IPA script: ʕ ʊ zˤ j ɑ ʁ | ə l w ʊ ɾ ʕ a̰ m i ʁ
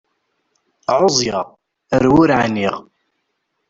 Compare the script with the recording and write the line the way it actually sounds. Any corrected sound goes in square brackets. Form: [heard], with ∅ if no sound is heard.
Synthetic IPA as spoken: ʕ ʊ zˤ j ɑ ʁ | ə [ɾ] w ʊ ɾ ʕ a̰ [n] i ʁ